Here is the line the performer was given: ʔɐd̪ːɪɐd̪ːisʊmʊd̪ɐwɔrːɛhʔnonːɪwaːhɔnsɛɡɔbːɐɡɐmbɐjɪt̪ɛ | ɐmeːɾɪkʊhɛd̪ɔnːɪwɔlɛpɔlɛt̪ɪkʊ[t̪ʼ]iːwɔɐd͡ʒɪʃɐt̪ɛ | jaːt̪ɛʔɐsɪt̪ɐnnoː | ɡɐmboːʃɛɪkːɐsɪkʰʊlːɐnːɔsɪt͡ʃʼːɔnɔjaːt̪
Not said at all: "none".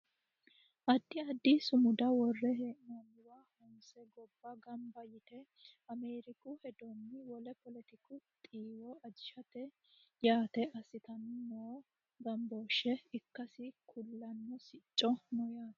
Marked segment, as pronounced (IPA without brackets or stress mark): t̪ʼ